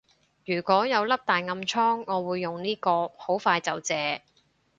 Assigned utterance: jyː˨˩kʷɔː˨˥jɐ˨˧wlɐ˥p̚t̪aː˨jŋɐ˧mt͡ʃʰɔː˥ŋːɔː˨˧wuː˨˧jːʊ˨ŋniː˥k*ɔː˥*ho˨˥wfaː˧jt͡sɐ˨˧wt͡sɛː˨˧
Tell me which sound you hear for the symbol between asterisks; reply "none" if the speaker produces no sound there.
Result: ɔː˧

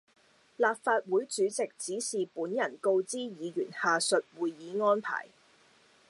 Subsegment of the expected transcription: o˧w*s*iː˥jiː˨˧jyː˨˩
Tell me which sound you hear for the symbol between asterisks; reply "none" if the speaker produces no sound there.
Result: t͡s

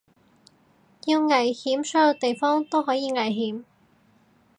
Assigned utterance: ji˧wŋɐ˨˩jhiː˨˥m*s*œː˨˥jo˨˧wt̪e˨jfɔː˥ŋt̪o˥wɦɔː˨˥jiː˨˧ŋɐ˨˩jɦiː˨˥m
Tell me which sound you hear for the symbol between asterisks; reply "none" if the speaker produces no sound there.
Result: s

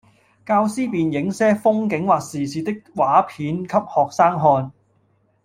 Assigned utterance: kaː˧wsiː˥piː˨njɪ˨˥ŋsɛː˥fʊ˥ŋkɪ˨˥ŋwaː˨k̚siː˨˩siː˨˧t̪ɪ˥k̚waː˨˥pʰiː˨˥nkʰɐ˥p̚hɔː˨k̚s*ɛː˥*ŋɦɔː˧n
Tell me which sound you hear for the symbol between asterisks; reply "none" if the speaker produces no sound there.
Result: aː˥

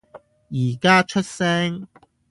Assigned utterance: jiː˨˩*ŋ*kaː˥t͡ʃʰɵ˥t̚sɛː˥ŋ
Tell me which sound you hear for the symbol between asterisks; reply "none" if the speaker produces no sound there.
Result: none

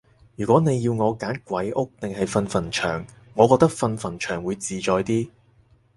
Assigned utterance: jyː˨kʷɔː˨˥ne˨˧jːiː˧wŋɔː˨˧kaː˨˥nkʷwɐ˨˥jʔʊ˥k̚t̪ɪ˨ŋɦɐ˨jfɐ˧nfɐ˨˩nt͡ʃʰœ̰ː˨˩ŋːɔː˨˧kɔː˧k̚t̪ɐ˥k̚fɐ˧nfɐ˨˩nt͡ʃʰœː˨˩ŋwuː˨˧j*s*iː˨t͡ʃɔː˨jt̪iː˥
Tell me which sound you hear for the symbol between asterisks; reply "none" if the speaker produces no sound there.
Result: t͡s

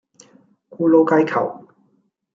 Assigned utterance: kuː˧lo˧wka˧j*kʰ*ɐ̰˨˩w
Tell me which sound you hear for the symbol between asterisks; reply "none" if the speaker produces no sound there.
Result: kʰ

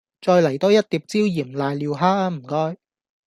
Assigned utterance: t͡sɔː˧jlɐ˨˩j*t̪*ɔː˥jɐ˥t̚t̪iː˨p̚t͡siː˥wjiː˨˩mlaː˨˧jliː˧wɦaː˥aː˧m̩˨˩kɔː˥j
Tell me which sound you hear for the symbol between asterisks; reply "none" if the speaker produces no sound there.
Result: t̪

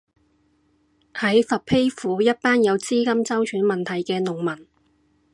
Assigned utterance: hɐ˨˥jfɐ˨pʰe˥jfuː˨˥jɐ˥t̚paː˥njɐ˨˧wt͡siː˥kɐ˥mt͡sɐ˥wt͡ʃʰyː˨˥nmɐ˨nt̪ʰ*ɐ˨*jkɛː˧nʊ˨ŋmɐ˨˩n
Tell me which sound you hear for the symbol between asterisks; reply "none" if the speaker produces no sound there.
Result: ɐ˨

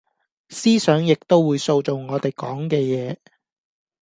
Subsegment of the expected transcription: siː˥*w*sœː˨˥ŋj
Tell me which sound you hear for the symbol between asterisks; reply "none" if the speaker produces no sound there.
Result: none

